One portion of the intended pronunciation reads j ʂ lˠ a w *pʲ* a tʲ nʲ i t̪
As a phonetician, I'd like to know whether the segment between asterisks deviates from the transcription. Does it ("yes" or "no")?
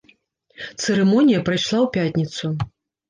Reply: no